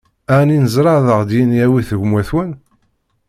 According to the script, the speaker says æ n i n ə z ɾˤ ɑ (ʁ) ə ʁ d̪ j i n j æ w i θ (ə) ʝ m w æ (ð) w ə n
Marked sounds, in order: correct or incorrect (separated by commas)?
incorrect, correct, incorrect